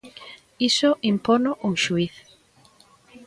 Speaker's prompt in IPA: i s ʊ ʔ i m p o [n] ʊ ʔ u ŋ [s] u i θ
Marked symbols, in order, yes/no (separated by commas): yes, no